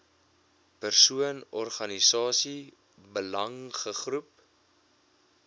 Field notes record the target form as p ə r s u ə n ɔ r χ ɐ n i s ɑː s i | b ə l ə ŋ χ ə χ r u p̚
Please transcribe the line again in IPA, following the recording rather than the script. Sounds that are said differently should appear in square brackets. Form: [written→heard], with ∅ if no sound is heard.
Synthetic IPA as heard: p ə r s u ə n ɔ r χ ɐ n i s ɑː s i | b ə l [ə→ɐ] ŋ χ ə χ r u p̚